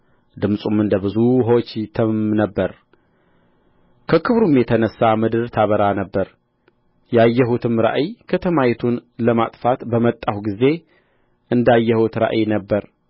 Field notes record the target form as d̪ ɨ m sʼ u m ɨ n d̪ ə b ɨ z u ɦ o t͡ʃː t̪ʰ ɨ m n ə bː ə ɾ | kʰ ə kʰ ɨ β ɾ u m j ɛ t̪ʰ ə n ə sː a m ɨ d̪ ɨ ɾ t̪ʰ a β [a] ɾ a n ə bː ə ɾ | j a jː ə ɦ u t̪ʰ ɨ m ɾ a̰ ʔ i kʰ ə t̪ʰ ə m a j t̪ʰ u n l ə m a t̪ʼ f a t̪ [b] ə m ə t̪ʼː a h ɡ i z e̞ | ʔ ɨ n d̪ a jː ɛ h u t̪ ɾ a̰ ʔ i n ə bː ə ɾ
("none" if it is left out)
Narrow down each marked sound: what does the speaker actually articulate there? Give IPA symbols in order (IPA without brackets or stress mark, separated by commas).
ə, b